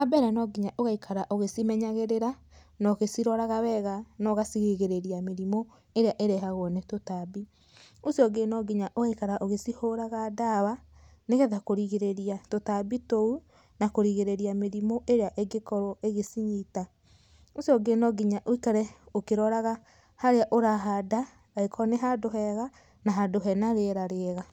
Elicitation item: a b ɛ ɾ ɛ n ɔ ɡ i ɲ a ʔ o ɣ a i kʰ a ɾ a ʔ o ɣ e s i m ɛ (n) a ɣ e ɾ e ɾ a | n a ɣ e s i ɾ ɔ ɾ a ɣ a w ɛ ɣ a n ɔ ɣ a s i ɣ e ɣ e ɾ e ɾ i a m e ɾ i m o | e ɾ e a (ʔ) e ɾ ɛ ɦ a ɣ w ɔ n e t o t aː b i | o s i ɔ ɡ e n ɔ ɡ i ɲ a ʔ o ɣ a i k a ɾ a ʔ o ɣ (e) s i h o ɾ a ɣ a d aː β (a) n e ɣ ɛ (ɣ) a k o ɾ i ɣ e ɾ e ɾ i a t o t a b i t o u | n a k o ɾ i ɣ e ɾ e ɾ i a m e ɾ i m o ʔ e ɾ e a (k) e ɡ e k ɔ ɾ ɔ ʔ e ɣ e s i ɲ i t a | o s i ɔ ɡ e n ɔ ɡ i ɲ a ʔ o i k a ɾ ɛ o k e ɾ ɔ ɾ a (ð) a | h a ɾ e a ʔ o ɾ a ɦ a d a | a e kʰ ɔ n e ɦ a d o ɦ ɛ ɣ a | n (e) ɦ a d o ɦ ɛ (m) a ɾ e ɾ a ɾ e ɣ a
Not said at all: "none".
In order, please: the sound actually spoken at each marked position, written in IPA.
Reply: ɲ, ʔ, e, a, ð, ʔ, ɣ, a, n

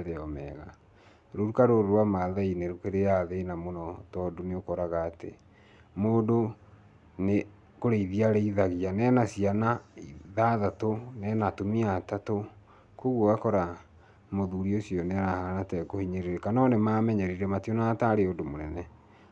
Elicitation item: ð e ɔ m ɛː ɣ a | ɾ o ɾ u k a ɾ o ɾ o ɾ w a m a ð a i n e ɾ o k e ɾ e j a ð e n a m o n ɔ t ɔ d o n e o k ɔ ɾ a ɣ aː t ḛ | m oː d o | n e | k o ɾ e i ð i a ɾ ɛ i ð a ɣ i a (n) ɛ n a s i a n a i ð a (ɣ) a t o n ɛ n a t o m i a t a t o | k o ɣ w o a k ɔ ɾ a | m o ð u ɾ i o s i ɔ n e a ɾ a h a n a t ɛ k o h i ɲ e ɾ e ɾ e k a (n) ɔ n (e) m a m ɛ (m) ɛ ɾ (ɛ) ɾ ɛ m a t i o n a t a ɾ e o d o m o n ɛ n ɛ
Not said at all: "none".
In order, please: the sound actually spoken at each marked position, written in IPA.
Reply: n, ð, n, e, ɲ, i

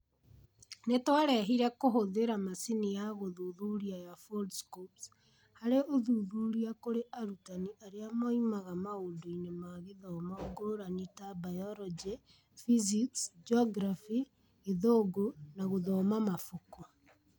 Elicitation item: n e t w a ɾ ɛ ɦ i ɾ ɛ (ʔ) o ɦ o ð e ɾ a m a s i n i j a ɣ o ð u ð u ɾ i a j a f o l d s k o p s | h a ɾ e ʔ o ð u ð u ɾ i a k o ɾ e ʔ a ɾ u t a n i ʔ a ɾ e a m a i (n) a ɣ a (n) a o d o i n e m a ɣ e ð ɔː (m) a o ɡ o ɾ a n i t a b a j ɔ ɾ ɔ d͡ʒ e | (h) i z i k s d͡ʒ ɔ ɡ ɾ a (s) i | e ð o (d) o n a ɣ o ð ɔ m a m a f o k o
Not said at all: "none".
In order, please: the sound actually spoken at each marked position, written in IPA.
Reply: k, m, m, m, f, f, ɡ

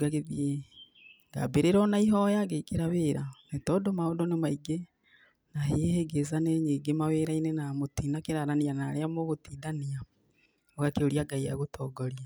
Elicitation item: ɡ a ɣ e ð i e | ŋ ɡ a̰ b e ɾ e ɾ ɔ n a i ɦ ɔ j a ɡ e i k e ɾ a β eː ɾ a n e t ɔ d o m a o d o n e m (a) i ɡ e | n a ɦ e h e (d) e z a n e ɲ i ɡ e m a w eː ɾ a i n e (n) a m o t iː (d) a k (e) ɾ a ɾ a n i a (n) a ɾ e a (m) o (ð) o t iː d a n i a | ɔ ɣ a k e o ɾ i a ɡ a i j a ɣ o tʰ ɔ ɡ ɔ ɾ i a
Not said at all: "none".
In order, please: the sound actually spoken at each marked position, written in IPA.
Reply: a, ɡ, n, n, e, n, m, ɣ

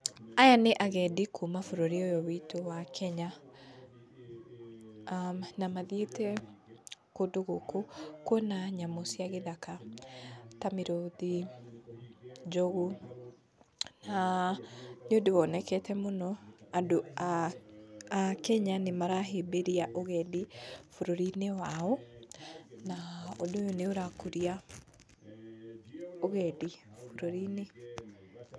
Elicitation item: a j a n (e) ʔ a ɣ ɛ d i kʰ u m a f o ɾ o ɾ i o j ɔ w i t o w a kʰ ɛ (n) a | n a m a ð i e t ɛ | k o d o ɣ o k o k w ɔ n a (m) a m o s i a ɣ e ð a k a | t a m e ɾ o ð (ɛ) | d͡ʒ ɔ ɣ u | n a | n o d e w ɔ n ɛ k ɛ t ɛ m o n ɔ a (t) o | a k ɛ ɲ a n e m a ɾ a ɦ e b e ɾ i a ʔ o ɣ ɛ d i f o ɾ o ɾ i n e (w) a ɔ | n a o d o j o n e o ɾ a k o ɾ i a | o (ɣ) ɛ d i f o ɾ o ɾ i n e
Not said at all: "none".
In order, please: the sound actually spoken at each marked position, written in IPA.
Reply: e, ɲ, ɲ, i, d, w, ɣ

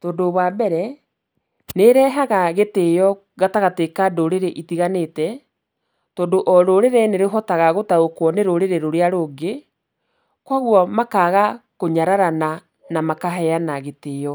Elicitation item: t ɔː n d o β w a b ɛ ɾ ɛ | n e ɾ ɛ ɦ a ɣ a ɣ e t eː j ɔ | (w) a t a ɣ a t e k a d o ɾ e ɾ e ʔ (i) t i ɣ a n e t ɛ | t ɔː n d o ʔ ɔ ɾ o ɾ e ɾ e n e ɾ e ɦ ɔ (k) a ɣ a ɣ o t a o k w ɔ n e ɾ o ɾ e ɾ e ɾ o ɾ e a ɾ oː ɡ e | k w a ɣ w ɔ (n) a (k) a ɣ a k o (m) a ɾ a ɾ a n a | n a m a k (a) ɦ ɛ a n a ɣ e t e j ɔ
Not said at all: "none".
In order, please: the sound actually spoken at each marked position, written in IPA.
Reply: ɣ, i, t, m, k, ɲ, a

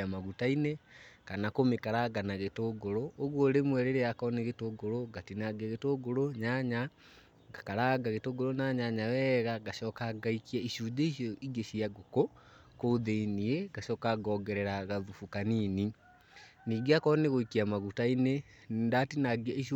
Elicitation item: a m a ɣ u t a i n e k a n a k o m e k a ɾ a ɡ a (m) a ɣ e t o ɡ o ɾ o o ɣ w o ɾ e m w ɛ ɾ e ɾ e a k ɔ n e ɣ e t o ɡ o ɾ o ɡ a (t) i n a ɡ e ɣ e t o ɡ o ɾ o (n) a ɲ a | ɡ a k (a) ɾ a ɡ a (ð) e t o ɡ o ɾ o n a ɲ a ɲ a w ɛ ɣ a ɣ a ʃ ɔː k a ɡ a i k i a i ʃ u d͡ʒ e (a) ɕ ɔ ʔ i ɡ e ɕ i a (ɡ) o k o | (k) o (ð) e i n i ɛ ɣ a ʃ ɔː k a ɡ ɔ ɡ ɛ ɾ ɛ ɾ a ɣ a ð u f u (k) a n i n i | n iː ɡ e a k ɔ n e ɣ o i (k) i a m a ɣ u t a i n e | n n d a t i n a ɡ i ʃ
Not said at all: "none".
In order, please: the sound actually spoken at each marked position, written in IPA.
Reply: n, t, ɲ, a, ɣ, i, ɡ, k, ð, k, k

